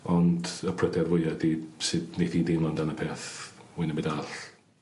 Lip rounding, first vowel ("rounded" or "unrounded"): rounded